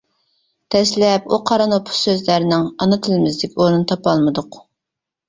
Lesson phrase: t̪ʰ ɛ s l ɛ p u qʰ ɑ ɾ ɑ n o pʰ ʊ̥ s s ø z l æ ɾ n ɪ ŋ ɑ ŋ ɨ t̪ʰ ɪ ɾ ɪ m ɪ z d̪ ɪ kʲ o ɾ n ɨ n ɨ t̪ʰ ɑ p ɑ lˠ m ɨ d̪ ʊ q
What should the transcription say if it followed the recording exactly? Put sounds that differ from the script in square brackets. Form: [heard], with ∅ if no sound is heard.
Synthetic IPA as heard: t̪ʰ ɛ s l ɛ p u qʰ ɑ ɾ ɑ n o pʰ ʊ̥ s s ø z l æ ɾ n ɪ ŋ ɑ [n] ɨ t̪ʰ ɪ [l] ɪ m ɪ z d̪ ɪ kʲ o ɾ n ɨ n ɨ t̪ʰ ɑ p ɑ lˠ m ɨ d̪ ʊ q

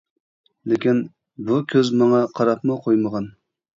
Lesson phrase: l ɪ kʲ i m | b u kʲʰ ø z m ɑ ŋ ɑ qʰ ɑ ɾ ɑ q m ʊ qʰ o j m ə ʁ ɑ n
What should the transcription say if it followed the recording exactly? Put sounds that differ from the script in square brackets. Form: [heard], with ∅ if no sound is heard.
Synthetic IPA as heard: l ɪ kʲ i [n] | b u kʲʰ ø z m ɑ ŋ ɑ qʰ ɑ ɾ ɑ [p] m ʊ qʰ o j m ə ʁ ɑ n

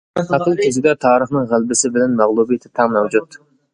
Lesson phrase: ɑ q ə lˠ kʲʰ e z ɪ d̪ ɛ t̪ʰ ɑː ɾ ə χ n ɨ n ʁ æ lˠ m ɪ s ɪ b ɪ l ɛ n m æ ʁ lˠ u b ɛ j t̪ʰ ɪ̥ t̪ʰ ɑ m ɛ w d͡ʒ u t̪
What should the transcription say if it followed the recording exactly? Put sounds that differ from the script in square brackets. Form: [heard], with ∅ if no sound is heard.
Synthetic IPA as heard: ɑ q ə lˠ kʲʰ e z ɪ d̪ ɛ t̪ʰ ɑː ɾ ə χ n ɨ [ŋ] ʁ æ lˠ [b] ɪ s ɪ b ɪ l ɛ n m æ ʁ lˠ u b [i] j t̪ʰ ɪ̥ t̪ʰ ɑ m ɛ w d͡ʒ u t̪

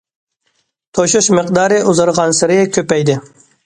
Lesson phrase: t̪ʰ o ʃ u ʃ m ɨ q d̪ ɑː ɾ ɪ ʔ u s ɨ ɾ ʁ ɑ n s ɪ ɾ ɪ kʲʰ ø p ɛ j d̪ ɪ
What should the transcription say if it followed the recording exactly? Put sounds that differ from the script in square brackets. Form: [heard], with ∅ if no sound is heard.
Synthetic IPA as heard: t̪ʰ o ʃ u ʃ m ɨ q d̪ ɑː ɾ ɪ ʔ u [z] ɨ ɾ ʁ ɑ n s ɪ ɾ ɪ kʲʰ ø p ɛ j d̪ ɪ

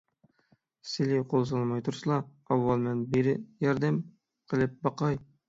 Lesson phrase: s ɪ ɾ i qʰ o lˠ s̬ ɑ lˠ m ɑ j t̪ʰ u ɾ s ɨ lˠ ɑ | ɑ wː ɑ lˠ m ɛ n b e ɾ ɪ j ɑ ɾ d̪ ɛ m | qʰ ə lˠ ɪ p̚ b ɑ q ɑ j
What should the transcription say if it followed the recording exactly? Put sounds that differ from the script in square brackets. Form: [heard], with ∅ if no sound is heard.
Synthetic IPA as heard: s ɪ [l] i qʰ o lˠ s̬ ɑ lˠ m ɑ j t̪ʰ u ɾ s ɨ lˠ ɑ | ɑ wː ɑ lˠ m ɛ n b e ɾ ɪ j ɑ ɾ d̪ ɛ m | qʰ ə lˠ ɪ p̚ b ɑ q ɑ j

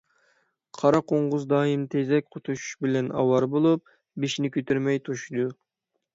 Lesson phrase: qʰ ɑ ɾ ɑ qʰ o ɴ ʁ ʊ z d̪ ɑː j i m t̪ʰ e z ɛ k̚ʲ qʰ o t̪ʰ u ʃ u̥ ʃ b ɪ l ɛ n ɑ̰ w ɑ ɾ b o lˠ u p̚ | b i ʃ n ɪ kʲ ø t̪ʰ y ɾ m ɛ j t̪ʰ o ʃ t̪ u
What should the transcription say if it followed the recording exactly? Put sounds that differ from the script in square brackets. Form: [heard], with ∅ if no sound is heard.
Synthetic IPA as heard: qʰ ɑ ɾ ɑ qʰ o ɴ ʁ ʊ z d̪ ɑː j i m t̪ʰ e z ɛ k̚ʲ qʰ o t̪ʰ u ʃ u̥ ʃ b ɪ l ɛ n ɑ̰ w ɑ ɾ b o lˠ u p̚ | b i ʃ n ɪ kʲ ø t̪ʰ y ɾ m ɛ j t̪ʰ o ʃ [d̪] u

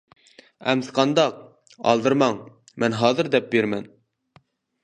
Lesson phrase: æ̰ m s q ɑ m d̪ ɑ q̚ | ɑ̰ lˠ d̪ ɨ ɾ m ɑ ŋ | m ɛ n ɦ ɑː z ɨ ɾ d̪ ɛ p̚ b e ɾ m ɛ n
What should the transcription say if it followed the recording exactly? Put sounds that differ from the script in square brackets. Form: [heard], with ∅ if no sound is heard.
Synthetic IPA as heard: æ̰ m s q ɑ [n] d̪ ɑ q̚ | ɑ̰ lˠ d̪ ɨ ɾ m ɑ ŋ | m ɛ n ɦ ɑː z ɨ ɾ d̪ ɛ p̚ b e ɾ m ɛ n

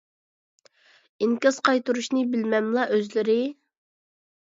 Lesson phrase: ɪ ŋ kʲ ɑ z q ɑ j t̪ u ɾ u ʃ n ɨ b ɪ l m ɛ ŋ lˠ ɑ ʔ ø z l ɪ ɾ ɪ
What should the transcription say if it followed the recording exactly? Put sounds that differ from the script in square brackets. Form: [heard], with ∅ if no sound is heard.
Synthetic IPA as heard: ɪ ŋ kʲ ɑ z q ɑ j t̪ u ɾ u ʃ n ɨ b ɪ l m ɛ [m] lˠ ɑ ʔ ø z l ɪ ɾ ɪ

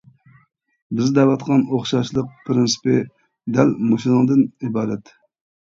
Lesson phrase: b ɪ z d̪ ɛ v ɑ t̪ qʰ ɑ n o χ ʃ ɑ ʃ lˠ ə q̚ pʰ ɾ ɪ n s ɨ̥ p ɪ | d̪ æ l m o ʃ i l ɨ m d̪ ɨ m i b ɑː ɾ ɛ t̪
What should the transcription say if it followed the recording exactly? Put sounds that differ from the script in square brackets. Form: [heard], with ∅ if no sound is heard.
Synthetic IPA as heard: b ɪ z d̪ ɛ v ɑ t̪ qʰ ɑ n o χ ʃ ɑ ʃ lˠ ə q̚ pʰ ɾ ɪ n s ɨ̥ p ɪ | d̪ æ l m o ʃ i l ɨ [ŋ] d̪ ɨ [n] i b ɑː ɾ ɛ t̪

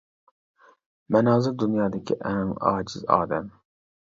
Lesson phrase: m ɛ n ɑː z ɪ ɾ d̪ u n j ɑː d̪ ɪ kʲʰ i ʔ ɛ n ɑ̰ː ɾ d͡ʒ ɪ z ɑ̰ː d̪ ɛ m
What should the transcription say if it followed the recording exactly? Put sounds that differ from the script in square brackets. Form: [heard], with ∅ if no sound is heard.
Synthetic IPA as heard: m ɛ n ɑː z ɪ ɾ d̪ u n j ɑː d̪ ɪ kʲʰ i ʔ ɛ [ŋ] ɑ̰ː [∅] d͡ʒ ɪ z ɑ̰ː d̪ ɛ m

